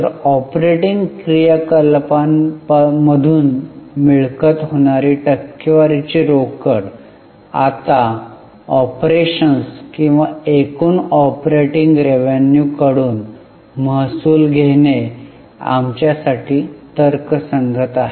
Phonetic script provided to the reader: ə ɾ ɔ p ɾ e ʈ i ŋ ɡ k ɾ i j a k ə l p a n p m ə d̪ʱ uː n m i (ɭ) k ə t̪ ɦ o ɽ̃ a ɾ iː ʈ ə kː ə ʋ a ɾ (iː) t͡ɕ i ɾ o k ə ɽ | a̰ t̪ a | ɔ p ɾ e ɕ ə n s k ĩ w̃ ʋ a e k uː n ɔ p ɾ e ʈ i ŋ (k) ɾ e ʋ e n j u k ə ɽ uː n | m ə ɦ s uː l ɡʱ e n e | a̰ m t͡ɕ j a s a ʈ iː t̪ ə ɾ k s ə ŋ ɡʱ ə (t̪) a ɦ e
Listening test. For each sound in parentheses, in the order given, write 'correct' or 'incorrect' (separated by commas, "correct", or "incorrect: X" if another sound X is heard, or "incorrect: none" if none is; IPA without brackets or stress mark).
correct, incorrect: i, incorrect: ɡ, correct